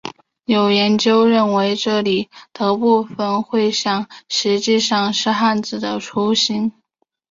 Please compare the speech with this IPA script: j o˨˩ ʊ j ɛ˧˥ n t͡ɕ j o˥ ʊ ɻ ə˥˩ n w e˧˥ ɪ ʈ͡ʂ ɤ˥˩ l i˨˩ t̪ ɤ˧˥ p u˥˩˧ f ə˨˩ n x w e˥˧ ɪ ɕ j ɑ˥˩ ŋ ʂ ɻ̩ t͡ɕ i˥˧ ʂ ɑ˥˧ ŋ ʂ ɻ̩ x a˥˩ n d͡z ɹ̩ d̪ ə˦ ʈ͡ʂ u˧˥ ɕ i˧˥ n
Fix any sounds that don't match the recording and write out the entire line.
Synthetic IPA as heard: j o˨˩ ʊ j ɛ˧˥ n t͡ɕ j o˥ ʊ ɻ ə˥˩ n w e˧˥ ɪ ʈ͡ʂ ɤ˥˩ l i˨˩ t̪ ɤ˧˥ p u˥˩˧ f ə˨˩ n x w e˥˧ ɪ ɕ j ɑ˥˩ ŋ ʂ ɻ̩ t͡ɕ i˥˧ ʂ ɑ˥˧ ŋ ʂ ɻ̩ x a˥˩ n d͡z ɹ̩ d̪ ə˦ ʈ͡ʂʰ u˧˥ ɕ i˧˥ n